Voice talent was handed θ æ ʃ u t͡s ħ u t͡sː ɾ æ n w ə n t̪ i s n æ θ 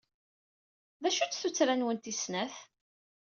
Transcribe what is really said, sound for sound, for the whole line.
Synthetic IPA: ð æ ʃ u t͡s θ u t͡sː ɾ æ n w ə n t̪ i s n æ θ